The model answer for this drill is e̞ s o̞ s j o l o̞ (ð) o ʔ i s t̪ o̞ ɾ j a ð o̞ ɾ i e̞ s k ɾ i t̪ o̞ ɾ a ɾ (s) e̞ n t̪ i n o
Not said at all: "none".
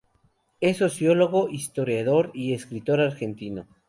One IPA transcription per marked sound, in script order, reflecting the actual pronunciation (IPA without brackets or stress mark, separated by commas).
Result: ɣ, x